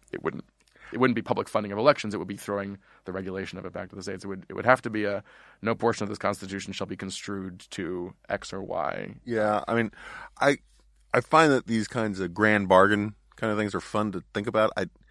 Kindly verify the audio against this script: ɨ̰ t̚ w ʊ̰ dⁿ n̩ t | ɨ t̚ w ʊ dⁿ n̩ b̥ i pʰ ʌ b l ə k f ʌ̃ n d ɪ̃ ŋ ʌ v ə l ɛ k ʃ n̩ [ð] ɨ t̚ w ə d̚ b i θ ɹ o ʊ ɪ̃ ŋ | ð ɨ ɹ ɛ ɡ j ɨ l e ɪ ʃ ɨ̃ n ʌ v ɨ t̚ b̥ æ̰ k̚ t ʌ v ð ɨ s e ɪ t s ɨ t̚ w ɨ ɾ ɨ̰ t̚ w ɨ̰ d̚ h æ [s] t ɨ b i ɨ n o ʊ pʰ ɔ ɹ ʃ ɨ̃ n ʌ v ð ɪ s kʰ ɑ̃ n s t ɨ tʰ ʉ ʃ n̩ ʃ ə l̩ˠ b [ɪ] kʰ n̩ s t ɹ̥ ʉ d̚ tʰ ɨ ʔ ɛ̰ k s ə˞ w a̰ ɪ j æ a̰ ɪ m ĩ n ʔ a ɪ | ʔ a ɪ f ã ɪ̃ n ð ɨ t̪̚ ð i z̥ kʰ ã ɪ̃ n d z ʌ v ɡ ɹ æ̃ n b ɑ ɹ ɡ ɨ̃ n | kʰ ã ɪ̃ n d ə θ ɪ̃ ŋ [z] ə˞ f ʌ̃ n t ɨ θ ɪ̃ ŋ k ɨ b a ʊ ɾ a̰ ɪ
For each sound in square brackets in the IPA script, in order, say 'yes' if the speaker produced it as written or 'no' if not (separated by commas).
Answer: no, no, no, yes